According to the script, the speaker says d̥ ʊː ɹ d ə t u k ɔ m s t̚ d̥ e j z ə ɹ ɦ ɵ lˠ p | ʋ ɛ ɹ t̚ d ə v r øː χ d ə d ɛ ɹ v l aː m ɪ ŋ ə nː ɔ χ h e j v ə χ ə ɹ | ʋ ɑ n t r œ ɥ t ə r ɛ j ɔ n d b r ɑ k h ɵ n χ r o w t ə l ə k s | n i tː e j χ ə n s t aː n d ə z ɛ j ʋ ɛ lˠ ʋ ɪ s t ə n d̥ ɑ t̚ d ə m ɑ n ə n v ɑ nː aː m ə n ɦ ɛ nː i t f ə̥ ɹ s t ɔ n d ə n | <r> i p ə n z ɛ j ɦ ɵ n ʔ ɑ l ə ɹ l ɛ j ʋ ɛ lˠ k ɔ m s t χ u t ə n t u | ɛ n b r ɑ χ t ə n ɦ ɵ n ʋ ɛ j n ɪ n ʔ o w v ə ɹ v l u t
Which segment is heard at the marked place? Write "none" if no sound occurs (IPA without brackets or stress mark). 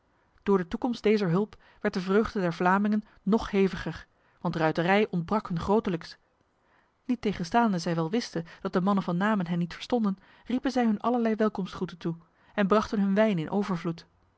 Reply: r